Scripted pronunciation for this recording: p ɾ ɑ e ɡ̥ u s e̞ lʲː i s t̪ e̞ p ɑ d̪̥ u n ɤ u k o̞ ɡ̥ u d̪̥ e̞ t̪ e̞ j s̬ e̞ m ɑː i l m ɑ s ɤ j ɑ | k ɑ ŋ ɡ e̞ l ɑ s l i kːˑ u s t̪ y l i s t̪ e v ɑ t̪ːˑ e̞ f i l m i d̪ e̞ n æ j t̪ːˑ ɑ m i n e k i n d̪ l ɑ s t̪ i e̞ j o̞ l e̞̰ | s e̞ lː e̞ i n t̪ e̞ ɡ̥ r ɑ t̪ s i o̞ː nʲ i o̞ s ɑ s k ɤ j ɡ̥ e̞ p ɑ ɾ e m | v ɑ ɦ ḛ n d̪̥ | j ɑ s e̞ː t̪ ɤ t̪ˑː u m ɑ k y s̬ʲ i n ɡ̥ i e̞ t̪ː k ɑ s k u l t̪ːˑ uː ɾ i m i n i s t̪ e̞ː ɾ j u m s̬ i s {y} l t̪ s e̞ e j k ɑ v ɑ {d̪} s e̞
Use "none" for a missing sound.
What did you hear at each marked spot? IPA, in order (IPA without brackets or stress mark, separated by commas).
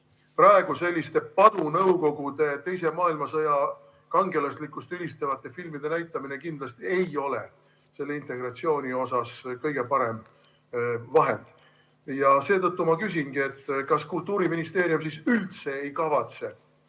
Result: y, t̪